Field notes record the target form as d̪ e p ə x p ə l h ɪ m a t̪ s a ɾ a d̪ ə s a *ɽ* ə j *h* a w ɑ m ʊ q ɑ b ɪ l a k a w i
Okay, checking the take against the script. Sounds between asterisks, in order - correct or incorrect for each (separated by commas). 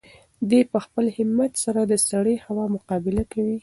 correct, correct